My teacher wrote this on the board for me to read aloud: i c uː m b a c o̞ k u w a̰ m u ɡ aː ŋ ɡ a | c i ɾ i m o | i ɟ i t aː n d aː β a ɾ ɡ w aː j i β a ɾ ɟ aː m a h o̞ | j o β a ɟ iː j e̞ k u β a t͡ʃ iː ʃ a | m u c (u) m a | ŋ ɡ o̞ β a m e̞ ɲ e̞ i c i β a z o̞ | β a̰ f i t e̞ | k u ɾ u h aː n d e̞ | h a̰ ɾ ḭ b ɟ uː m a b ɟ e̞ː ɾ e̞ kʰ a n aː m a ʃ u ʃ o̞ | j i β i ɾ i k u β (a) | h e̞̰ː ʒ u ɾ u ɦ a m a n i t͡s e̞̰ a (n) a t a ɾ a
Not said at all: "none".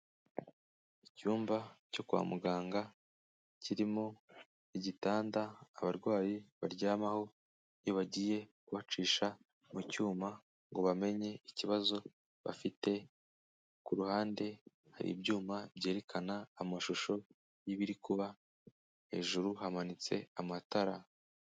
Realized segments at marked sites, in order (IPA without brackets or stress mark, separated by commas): uː, a, m